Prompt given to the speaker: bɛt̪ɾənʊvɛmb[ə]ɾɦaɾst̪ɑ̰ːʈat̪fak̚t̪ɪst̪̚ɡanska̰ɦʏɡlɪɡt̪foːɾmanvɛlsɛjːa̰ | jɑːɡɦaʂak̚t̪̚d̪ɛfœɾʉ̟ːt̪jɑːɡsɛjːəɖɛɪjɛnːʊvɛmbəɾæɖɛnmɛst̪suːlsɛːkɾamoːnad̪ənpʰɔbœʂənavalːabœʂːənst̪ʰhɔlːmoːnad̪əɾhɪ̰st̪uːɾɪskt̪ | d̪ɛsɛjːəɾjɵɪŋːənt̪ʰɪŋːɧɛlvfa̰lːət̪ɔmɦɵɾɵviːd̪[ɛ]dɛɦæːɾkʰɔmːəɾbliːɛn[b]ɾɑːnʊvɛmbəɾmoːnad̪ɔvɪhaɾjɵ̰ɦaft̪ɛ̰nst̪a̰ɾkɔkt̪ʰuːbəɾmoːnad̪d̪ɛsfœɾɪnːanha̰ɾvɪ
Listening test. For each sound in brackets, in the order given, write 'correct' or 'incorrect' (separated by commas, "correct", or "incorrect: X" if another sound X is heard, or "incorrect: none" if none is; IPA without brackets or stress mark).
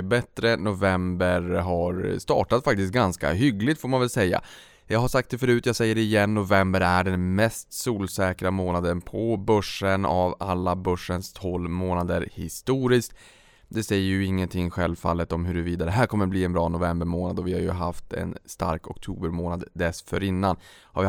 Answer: correct, incorrect: a, correct